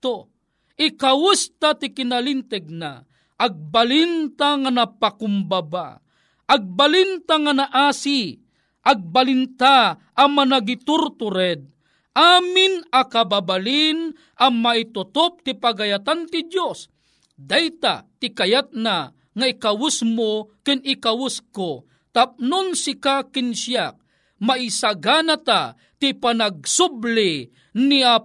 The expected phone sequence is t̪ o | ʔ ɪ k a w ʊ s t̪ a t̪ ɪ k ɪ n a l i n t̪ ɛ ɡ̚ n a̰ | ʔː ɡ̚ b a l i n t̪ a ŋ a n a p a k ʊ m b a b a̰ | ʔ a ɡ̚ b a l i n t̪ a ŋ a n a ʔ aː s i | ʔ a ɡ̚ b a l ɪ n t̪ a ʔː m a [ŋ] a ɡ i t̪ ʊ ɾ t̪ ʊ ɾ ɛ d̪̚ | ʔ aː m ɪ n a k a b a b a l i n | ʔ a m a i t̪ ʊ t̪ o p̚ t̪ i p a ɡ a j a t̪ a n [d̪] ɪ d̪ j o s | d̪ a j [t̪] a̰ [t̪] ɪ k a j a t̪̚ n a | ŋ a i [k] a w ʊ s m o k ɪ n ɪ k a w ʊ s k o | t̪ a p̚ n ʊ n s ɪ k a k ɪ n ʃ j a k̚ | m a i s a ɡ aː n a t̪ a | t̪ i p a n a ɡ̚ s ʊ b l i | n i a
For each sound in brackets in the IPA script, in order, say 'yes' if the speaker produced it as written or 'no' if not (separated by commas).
no, no, yes, yes, yes